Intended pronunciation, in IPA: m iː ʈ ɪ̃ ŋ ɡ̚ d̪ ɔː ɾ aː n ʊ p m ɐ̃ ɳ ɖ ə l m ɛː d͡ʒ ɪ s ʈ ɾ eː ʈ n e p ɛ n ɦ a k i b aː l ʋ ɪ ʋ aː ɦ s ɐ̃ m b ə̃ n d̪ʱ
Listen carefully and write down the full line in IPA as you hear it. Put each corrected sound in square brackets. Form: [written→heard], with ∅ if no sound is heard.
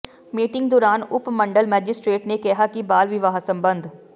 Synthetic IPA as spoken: m iː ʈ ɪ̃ ŋ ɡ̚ d̪ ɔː ɾ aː n ʊ p m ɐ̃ ɳ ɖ ə l m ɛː d͡ʒ ɪ s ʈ ɾ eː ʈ n e [p→k] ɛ [n→∅] ɦ a k i b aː l ʋ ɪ ʋ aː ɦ s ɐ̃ m b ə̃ n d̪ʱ